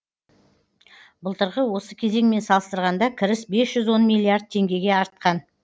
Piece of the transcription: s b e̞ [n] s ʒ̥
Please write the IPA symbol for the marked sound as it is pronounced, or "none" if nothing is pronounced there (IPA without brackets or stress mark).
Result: none